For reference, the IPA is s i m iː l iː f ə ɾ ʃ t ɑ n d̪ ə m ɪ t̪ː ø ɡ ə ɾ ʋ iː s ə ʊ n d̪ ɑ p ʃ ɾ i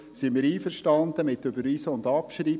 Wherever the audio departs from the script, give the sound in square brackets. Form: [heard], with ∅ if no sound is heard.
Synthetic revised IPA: s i m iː [ɾ] iː f ə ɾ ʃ t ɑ n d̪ ə m ɪ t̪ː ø [b] ə ɾ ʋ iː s ə ʊ n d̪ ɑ p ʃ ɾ i

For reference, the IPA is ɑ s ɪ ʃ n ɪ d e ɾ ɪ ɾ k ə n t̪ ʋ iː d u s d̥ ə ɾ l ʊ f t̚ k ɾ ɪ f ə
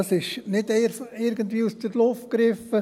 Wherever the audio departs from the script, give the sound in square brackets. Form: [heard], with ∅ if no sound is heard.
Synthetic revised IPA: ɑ s ɪ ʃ n ɪ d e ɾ ɪ ɾ [ɡ] ə n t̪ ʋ iː [∅] u s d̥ ə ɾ l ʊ f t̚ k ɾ ɪ f ə

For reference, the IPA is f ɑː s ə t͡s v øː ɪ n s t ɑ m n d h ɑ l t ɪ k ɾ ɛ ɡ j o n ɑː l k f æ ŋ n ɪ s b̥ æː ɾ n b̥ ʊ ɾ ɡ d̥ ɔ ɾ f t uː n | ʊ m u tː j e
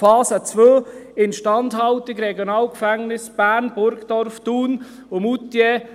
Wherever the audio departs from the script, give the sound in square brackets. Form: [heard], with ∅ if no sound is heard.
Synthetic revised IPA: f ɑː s ə t͡s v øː ɪ n [ʃ] t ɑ [∅] n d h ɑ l t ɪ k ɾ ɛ ɡ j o n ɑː l k f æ ŋ n ɪ s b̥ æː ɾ n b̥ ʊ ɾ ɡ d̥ ɔ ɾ f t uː n | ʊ m u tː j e

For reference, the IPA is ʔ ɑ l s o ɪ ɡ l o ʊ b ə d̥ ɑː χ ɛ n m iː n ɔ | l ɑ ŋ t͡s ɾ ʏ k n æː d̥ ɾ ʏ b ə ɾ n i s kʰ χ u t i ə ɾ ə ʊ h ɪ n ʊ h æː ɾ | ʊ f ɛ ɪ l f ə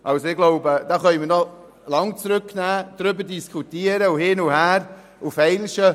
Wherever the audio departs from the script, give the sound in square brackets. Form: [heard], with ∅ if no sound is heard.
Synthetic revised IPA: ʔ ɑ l s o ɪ ɡ l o ʊ b ə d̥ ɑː χ [œ] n m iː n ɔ | l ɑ ŋ t͡s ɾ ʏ k n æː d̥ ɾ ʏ b ə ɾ [d] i s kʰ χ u t i ə ɾ ə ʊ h ɪ n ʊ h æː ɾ | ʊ f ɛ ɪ l [ʃ] ə

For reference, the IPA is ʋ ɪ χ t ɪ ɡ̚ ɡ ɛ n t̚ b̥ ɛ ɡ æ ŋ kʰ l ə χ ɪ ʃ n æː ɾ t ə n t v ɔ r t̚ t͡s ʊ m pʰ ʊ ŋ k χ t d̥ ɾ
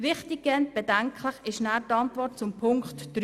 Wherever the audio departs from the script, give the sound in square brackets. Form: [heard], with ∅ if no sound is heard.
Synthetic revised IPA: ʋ ɪ χ t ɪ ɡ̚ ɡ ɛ n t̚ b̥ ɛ [d] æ ŋ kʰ l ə χ ɪ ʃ n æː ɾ t [ɑ] n t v ɔ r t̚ t͡s ʊ m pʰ ʊ ŋ k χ t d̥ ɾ

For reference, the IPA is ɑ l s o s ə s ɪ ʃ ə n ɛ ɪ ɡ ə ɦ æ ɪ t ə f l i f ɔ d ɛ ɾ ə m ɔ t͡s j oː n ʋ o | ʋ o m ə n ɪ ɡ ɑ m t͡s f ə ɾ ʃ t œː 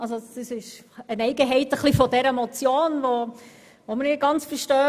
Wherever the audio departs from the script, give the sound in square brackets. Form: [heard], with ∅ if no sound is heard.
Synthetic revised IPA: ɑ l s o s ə s ɪ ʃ ə n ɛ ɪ ɡ ə ɦ [ɛ] ɪ t ə [χ] l i f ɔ d ɛ ɾ ə m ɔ t͡s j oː n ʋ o | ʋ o m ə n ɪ ɡ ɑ [n] t͡s f ə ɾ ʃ t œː

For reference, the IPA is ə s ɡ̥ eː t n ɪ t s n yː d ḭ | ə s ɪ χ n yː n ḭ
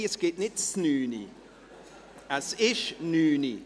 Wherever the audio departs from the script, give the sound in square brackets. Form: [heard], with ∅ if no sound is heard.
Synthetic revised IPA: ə s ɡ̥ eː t n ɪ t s n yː [n] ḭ | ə s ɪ [ʃ] n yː n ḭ

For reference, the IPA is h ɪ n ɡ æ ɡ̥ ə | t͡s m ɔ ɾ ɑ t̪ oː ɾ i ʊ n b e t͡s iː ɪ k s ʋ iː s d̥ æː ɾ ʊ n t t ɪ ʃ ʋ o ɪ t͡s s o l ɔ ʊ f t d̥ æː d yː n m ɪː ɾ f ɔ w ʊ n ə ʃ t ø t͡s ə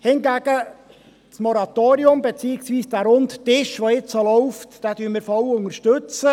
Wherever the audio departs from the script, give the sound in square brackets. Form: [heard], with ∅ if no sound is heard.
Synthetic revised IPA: h ɪ n ɡ æ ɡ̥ ə | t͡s m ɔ ɾ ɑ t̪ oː ɾ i ʊ [m] b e t͡s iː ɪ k s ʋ iː s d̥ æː ɾ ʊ n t t ɪ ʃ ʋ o ɪ t͡s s o l ɔ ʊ f t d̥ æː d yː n m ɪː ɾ f ɔ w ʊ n ə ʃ t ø t͡s ə

